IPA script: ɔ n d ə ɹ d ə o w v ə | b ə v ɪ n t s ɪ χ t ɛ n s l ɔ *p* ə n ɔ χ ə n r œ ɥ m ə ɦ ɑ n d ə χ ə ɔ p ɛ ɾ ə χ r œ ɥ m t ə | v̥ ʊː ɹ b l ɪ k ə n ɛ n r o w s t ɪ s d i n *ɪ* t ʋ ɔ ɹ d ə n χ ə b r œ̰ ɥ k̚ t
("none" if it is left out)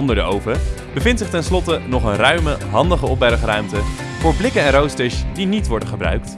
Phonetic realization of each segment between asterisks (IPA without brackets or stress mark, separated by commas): t, i